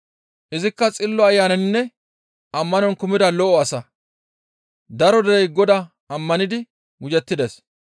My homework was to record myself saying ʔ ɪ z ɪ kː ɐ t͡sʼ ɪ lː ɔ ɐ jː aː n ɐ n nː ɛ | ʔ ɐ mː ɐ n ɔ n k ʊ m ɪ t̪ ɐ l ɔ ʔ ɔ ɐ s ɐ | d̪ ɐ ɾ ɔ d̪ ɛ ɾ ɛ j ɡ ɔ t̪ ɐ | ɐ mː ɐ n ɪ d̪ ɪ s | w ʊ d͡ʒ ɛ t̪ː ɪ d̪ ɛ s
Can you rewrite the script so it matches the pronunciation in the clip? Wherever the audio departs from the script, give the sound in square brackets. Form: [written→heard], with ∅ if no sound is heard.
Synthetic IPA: ʔ ɪ z ɪ kː ɐ t͡sʼ ɪ lː ɔ ɐ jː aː n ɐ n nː ɛ | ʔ ɐ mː ɐ n ɔ n k ʊ m ɪ [t̪→d̪] ɐ l ɔ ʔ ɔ ɐ s ɐ | d̪ ɐ ɾ ɔ d̪ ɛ ɾ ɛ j ɡ ɔ [t̪→d̪] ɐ | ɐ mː ɐ n ɪ d̪ ɪ [s→∅] | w ʊ d͡ʒ ɛ t̪ː ɪ d̪ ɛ s